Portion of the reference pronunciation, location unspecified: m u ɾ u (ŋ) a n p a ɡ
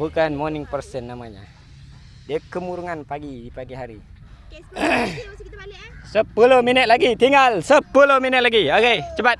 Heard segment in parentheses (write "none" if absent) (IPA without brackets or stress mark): ŋ